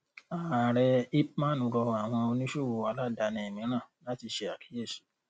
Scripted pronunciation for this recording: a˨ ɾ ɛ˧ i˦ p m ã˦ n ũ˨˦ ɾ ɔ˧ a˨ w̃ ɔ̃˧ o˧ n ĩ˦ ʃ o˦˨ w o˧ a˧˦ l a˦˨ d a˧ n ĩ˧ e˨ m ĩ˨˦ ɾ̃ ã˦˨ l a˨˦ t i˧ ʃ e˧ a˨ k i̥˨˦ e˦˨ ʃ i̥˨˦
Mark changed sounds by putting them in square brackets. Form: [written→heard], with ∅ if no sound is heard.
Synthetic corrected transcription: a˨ ɾ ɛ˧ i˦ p m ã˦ n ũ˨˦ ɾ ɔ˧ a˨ w̃ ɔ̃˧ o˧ n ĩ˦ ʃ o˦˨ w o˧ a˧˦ l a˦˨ d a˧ n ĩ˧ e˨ m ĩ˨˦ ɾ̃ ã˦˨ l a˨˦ t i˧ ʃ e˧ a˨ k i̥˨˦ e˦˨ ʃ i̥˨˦